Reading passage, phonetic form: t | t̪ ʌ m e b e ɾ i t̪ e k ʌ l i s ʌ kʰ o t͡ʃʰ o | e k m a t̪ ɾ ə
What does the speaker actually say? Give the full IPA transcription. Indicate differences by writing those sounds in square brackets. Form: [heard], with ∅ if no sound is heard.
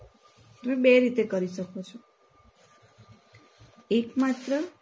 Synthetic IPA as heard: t | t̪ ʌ m e b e ɾ i t̪ e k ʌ [ɾ] i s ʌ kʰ o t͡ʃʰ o | e k m a t̪ ɾ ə